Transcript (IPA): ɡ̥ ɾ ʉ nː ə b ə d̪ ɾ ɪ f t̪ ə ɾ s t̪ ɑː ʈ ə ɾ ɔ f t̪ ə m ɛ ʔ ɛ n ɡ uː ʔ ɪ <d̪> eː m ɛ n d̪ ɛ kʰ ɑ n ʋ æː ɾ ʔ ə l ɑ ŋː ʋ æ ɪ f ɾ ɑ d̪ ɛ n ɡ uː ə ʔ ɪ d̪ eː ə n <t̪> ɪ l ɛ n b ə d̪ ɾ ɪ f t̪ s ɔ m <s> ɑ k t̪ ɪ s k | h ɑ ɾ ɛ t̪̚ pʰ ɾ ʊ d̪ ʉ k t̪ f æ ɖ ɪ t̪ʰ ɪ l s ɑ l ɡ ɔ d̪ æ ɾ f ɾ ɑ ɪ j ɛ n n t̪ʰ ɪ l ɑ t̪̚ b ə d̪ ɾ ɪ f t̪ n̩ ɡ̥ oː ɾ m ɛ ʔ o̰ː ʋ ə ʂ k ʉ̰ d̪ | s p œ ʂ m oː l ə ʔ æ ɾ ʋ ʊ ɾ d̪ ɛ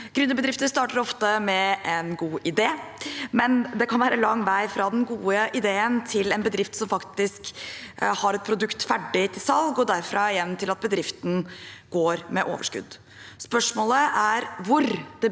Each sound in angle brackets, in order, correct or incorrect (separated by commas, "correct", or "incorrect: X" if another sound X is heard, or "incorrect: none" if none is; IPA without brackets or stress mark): correct, incorrect: t̪ʰ, incorrect: f